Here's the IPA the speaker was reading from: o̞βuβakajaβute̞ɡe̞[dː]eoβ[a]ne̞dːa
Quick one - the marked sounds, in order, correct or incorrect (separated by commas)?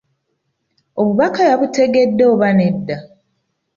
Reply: correct, correct